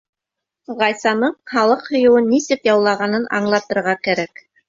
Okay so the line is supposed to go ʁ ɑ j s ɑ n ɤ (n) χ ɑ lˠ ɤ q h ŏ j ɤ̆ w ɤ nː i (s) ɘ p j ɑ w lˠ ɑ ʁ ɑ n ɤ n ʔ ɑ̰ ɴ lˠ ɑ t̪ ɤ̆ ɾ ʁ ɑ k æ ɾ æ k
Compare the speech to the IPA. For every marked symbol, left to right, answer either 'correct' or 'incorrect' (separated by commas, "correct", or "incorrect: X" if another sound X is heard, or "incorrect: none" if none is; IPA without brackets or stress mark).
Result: incorrect: ɴ, correct